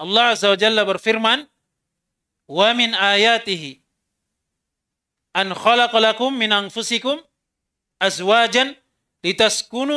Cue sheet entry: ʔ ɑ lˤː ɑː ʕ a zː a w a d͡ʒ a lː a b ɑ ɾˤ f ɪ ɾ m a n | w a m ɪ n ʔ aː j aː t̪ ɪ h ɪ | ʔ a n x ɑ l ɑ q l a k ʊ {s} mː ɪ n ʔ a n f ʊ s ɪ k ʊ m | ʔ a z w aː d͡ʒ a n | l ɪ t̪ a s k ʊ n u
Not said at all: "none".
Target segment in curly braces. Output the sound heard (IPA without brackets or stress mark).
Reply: none